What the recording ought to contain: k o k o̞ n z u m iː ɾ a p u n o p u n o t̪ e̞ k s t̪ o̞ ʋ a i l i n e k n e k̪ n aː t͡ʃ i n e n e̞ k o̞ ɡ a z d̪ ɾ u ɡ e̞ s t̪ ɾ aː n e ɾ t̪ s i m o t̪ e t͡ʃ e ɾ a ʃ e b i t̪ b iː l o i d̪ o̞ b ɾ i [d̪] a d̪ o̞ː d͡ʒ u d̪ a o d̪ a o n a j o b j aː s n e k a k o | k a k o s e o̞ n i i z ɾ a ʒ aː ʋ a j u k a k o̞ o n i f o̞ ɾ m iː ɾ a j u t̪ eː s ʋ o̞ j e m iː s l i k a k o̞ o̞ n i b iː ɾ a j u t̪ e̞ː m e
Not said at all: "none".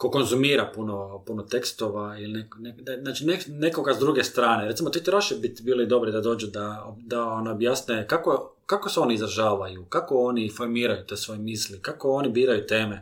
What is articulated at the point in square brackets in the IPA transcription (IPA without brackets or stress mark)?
d̪